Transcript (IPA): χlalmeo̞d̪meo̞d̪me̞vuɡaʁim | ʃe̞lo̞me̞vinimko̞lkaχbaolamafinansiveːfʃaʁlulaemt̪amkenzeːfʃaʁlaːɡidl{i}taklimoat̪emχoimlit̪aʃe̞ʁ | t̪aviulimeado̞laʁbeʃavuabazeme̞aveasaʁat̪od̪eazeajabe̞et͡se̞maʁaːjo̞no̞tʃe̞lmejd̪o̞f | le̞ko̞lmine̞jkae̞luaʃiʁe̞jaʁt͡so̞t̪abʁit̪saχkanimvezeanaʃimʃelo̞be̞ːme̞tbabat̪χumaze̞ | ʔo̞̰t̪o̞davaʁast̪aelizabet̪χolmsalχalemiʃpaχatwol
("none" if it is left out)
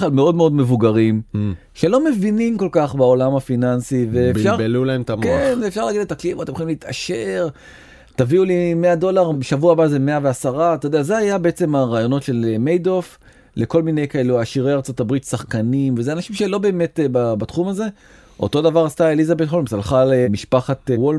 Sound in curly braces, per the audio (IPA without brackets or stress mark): e